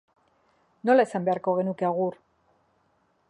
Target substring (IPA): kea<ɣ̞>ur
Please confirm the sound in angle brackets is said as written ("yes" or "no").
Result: yes